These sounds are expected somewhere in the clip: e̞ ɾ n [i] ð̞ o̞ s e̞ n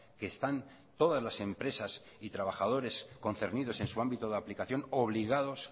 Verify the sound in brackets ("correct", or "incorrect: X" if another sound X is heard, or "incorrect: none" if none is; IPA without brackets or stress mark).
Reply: correct